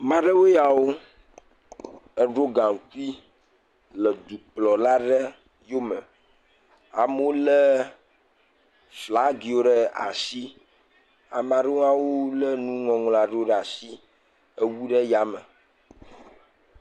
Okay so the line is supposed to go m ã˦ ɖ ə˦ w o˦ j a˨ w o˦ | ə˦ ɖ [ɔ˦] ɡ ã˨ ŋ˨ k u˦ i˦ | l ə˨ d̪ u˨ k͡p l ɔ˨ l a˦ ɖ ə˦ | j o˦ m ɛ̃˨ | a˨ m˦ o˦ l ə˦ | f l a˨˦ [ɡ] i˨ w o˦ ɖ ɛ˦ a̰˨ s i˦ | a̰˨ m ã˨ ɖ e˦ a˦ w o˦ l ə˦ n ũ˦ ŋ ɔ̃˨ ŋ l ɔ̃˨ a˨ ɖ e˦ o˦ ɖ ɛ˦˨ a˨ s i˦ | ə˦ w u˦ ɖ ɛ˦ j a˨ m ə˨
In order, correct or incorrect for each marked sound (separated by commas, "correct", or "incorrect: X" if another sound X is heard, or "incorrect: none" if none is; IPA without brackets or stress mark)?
incorrect: o˦, correct